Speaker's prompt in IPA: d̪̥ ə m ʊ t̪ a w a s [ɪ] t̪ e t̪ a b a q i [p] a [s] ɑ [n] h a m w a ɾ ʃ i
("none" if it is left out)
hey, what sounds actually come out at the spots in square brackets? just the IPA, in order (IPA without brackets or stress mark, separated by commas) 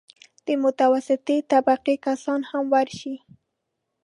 ɪ, k, s, n